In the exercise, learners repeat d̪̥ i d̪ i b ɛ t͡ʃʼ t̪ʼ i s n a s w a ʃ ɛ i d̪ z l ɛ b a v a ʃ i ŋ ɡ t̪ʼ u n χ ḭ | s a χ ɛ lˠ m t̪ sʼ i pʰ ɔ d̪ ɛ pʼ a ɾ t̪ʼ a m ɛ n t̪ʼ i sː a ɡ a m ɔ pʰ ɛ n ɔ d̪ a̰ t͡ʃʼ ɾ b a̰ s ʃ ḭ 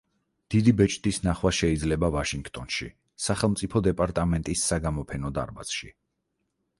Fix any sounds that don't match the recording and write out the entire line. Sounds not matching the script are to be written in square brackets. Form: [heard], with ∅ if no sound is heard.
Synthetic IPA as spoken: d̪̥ i d̪ i b ɛ t͡ʃʼ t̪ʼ i s n a [χ] w a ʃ ɛ i d̪ z l ɛ b a v a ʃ i ŋ ɡ t̪ʼ [ɔ] n [ʃ] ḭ | s a χ ɛ lˠ m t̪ sʼ i pʰ ɔ d̪ ɛ pʼ a ɾ t̪ʼ a m ɛ n t̪ʼ i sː a ɡ a m ɔ pʰ ɛ n ɔ d̪ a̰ [∅] ɾ b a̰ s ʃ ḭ